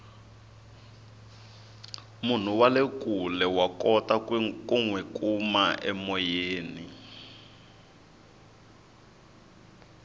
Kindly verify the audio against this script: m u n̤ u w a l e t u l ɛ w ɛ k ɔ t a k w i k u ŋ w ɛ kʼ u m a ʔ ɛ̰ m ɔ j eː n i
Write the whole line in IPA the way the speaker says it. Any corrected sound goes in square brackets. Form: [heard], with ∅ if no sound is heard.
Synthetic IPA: m u n̤ u w a l e [k] u l ɛ w [a] k ɔ t a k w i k u ŋ w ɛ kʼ u m a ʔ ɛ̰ m ɔ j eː n i